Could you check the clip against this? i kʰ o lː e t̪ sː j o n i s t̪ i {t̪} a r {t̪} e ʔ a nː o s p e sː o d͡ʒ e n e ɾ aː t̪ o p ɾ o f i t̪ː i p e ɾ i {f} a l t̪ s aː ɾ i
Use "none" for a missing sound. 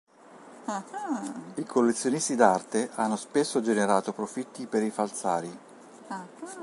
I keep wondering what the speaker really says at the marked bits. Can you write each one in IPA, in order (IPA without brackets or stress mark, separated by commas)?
d̪, t̪, f